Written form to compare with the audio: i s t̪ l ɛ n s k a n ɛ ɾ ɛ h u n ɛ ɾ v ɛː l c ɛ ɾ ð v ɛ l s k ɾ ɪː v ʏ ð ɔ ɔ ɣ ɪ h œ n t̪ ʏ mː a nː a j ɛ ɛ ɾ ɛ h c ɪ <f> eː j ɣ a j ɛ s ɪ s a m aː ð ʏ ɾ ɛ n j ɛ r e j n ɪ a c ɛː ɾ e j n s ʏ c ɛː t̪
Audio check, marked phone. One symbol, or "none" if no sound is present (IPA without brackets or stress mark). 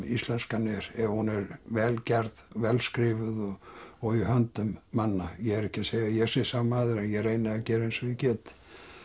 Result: s